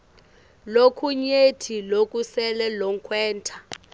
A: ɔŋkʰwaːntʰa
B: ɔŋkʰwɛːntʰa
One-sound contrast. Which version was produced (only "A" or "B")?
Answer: B